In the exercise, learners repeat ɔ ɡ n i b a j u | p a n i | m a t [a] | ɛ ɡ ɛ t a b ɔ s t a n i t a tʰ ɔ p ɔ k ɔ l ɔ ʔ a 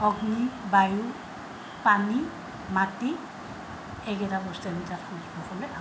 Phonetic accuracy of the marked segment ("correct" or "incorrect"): incorrect